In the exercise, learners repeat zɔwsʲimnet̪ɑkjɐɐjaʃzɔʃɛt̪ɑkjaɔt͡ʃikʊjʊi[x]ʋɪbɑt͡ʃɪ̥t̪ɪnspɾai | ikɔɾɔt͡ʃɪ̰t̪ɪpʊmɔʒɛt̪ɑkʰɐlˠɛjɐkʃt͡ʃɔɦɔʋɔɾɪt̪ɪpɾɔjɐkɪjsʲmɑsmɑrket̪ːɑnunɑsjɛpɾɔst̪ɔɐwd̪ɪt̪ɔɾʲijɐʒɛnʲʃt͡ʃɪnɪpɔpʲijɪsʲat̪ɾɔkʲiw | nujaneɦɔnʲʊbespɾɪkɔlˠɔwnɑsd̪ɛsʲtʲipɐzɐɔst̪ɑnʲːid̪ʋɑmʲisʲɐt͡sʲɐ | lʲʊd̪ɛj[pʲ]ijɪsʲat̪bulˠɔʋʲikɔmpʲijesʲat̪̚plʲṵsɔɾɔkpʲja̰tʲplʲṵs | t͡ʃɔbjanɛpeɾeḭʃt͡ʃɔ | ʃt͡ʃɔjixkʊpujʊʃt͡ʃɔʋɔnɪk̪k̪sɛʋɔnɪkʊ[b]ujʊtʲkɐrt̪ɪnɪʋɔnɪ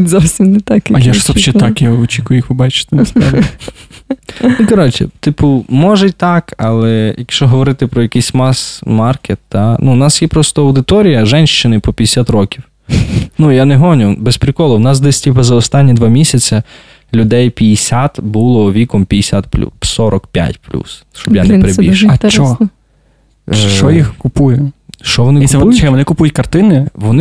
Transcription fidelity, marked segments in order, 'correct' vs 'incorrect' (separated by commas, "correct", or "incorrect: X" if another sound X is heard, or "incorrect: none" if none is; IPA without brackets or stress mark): correct, correct, incorrect: p